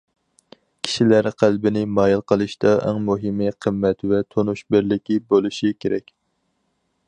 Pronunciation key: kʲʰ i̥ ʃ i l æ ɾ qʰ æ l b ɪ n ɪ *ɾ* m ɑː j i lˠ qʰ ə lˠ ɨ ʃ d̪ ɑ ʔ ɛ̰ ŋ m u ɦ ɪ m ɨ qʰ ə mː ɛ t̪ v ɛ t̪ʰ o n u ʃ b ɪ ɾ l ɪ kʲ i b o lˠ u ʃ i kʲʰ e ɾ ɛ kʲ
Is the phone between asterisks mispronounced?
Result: yes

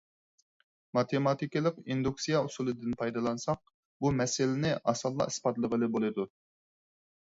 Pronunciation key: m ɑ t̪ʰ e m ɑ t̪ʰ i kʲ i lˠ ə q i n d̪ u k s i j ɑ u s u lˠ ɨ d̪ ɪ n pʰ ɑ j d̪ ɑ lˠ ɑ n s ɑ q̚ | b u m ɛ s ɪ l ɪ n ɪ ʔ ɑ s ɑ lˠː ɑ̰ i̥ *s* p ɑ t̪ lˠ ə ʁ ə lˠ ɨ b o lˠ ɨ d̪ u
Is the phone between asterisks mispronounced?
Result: no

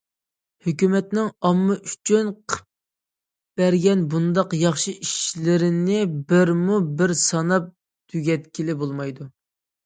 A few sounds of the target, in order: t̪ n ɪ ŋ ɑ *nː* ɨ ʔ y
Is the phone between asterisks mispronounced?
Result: yes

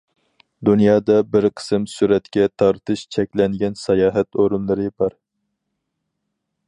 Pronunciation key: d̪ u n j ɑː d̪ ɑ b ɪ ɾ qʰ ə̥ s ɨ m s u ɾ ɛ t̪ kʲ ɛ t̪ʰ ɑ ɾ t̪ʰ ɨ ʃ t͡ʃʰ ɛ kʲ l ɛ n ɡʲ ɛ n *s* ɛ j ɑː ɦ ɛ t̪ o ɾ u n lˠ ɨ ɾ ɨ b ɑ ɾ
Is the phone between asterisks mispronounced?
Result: no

